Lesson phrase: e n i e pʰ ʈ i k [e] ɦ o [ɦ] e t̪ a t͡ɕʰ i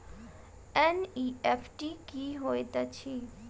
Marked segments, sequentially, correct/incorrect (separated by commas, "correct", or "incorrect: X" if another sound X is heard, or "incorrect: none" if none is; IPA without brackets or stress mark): incorrect: i, incorrect: none